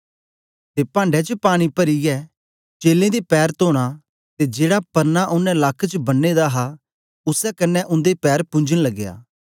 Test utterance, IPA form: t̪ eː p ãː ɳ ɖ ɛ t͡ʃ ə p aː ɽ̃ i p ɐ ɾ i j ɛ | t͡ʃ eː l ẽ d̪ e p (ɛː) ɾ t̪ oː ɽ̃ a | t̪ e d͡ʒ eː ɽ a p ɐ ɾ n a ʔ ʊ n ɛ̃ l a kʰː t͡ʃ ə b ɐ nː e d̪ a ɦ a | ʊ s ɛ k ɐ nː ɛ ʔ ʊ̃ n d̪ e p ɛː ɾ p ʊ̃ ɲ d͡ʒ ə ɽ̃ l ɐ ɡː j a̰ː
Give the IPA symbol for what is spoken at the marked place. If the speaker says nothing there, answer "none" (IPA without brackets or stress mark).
ɛː